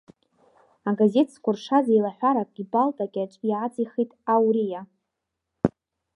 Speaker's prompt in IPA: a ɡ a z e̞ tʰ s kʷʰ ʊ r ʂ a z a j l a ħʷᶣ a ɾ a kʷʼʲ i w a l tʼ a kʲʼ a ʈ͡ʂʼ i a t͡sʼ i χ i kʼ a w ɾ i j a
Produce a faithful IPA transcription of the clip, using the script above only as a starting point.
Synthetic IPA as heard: a ɡ a z e̞ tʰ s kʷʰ ʊ r ʂ a z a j l a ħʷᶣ a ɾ a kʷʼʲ i b a l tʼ a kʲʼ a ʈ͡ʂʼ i a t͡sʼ i χ i tʼ a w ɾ i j a